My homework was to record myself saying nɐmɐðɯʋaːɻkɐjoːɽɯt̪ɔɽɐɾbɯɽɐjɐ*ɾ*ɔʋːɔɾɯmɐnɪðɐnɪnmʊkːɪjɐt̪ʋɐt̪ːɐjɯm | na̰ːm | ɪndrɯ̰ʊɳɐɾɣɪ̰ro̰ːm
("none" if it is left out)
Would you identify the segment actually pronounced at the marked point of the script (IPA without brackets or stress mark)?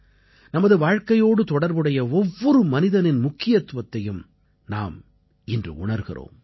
none